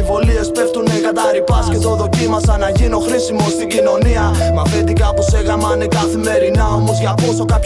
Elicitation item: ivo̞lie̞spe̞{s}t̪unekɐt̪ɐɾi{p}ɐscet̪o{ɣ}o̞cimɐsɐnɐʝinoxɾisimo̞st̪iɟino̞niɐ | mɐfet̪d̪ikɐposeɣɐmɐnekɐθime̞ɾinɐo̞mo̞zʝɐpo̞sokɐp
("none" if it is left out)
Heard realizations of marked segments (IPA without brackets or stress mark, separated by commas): f, p, ð